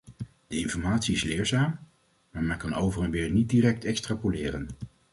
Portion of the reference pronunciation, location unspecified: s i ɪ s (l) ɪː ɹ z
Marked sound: correct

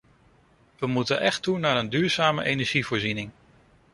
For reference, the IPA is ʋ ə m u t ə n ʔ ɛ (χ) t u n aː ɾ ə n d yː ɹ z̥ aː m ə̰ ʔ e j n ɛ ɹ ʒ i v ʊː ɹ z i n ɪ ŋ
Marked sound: correct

